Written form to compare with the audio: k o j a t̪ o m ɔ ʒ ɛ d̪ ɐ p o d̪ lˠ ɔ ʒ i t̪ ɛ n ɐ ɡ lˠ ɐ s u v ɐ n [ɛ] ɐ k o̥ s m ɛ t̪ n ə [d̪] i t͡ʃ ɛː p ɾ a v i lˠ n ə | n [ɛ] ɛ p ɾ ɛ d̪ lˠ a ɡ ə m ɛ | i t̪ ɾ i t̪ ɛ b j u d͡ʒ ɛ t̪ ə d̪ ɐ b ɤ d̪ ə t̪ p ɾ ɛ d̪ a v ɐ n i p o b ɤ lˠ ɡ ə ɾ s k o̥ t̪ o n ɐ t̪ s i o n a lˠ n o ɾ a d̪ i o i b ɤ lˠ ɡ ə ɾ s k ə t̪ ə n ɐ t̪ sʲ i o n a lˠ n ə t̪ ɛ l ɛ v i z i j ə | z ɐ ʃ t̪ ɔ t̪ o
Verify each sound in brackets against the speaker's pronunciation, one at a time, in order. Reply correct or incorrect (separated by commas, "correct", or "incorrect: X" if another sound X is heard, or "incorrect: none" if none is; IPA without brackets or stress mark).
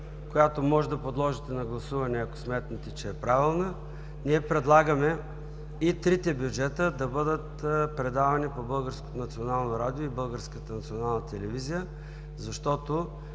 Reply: correct, incorrect: t̪, incorrect: i